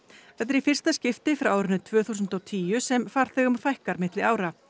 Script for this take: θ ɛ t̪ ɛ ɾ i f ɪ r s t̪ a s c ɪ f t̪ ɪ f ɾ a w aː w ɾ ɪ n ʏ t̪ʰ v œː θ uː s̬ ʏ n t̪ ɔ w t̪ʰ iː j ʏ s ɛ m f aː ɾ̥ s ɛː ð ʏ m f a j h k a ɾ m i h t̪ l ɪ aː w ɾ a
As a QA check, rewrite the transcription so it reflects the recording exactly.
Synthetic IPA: θ ɛ t̪ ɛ ɾ i f ɪ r s t̪ a s c ɪ f t̪ ɪ f ɾ a w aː w ɾ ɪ n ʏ t̪ʰ v œː θ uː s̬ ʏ n t̪ ɔ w t̪ʰ iː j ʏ s ɛ m f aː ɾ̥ θ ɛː ɣ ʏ m f a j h k a ɾ m ɪ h t̪ l ɪ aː w ɾ a